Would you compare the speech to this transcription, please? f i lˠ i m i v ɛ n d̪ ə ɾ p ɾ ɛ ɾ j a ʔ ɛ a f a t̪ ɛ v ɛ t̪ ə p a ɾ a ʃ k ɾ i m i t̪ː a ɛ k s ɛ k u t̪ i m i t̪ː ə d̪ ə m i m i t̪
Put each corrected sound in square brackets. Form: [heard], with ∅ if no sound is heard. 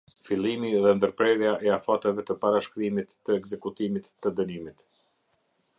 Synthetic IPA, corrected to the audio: f i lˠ i m i [ð] ɛ n d̪ ə ɾ p ɾ ɛ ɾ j a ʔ ɛ a f a t̪ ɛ v ɛ t̪ ə p a ɾ a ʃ k ɾ i m i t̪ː [ə] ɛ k [z] ɛ k u t̪ i m i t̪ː ə d̪ ə [n] i m i t̪